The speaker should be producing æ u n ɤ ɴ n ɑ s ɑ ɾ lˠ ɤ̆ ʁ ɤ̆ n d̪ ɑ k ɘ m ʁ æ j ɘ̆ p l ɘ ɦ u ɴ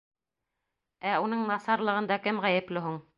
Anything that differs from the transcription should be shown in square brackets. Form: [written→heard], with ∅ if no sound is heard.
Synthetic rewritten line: æ u n ɤ ɴ n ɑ s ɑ ɾ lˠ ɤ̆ ʁ ɤ̆ n d̪ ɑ k ɘ m ʁ æ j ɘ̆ p l ɘ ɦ u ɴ